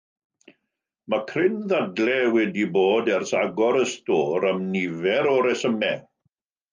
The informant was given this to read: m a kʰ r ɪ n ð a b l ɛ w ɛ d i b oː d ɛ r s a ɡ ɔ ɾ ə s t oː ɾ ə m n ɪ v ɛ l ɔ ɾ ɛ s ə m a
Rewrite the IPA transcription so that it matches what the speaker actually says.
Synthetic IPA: m a kʰ r ɪ n ð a d l ɛ w ɛ d i b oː d ɛ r s a ɡ ɔ ɾ ə s t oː ɾ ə m n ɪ v ɛ ɾ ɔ ɾ ɛ s ə m ɛ